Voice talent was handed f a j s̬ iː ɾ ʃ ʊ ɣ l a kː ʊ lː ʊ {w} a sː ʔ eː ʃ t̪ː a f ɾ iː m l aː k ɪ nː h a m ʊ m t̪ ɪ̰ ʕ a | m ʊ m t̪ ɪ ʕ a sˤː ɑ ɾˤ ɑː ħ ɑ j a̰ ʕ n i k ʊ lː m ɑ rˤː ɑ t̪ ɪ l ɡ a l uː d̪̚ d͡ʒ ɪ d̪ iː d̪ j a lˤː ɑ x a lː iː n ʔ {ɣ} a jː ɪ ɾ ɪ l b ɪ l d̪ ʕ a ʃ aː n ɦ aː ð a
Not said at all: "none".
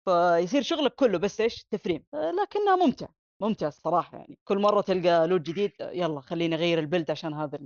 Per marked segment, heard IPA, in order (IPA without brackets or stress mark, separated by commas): b, ɣ